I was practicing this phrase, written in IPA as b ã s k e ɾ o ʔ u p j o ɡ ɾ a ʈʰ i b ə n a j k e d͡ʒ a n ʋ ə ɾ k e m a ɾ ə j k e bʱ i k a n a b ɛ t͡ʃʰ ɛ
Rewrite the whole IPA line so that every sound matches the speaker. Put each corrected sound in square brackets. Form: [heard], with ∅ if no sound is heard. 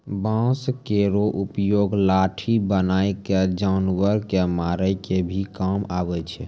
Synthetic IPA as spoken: b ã s k e ɾ o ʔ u p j o ɡ [l] a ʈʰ i b ə n a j k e d͡ʒ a n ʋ ə ɾ k e m a ɾ ə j k e bʱ i k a [m] a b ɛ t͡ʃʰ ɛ